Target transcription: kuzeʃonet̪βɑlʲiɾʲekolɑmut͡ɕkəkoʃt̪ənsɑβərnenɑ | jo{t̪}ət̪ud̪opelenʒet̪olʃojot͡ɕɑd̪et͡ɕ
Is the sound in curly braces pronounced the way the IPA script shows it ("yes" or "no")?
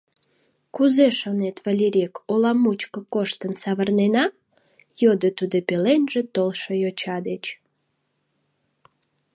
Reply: no